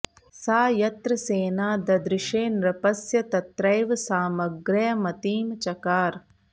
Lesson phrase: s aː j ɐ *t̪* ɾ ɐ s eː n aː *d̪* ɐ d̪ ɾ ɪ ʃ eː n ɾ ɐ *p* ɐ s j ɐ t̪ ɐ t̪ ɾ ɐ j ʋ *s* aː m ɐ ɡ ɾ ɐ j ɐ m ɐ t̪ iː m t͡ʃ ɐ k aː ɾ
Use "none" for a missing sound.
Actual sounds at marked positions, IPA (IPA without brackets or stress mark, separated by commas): t̪, d̪, p, s